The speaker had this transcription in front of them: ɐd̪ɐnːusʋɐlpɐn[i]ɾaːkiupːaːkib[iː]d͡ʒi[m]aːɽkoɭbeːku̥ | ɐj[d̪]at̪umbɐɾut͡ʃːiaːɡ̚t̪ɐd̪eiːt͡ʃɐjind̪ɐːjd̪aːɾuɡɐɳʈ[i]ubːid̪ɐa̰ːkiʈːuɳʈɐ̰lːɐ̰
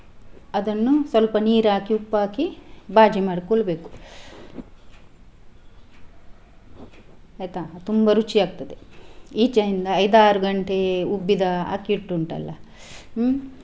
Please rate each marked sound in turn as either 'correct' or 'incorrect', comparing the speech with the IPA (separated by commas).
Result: incorrect, incorrect, correct, incorrect, incorrect